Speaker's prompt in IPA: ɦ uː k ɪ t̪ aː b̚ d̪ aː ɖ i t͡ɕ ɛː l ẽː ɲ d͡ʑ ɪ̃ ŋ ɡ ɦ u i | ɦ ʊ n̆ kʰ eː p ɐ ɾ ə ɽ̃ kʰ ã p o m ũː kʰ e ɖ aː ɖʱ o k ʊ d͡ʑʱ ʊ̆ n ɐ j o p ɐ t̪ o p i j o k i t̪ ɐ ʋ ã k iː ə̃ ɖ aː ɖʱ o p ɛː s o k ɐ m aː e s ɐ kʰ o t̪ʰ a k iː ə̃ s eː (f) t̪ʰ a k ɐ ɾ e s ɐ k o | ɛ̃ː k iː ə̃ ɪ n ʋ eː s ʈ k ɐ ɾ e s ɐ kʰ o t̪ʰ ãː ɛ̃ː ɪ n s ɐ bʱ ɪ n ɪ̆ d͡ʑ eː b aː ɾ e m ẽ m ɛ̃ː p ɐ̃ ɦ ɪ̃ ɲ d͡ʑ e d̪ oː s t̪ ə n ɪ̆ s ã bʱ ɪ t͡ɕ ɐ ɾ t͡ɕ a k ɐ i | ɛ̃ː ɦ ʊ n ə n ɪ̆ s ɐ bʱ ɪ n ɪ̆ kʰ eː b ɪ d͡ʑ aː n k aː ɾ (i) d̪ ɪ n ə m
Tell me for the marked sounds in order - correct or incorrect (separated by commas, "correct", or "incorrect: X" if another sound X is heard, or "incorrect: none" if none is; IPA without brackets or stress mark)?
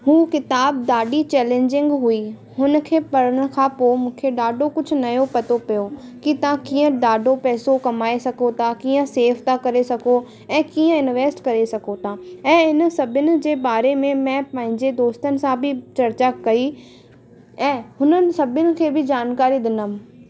correct, correct